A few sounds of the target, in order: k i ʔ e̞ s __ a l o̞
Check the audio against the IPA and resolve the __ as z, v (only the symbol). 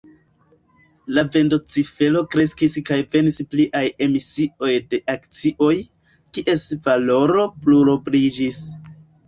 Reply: v